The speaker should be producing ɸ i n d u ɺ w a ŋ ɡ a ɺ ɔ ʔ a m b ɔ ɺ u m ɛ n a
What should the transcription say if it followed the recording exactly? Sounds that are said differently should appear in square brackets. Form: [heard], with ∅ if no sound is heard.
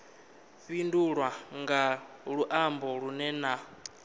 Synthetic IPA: ɸ i n d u ɺ w a ŋ ɡ a ɺ [u] ʔ a m b ɔ ɺ u [n] ɛ n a